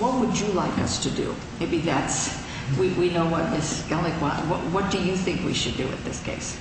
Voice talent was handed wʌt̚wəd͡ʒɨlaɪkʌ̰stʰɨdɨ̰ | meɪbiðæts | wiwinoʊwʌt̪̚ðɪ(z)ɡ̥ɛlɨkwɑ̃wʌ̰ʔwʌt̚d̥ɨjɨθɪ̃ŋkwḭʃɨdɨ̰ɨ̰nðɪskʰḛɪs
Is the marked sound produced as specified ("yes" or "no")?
no